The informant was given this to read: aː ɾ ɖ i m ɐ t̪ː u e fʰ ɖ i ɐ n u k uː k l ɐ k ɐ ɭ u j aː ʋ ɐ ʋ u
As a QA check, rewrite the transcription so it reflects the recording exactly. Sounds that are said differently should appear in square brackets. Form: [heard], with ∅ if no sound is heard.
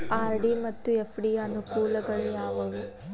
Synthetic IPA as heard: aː ɾ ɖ i m ɐ t̪ː u e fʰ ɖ i ɐ n u k uː [∅] l ɐ [ɡ] ɐ ɭ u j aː ʋ ɐ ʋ u

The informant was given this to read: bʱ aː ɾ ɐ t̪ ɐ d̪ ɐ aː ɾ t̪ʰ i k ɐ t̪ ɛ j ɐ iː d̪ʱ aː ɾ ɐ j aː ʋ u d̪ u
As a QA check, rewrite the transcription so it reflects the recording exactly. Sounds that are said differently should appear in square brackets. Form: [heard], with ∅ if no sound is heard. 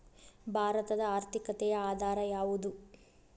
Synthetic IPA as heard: bʱ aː ɾ ɐ t̪ ɐ d̪ ɐ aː ɾ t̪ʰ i k ɐ t̪ ɛ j ɐ [aː] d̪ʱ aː ɾ ɐ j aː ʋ u d̪ u

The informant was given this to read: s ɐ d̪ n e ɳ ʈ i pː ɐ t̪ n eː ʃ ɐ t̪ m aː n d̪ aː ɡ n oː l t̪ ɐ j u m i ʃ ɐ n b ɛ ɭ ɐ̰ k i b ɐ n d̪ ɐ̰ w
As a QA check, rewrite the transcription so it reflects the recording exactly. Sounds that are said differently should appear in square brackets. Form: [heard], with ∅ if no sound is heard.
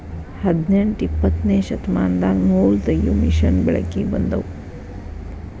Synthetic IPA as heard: [h] ɐ d̪ n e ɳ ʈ i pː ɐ t̪ n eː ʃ ɐ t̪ m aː n d̪ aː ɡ n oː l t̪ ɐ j u m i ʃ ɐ n b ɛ ɭ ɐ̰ k i b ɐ n d̪ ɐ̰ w

